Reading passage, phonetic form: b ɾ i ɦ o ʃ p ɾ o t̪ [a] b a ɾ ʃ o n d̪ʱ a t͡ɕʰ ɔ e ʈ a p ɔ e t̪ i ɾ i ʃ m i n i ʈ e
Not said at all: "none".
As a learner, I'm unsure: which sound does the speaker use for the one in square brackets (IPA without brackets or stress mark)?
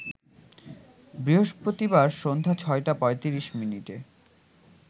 i